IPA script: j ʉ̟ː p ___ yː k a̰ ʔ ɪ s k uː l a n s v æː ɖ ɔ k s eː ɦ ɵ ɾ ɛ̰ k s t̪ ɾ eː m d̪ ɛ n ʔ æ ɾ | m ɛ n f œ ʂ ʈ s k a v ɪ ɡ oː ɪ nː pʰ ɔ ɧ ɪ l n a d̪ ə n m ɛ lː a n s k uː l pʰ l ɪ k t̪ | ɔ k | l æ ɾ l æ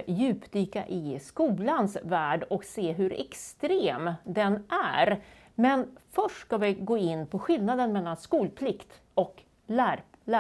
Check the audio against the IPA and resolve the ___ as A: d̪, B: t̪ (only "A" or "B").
A